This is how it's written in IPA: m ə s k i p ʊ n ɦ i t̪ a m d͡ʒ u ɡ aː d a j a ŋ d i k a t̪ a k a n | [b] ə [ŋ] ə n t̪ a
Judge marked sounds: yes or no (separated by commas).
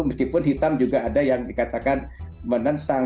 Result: no, no